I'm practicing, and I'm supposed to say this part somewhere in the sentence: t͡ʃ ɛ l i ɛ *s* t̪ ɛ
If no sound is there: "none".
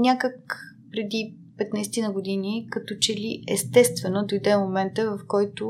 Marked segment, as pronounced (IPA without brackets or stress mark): s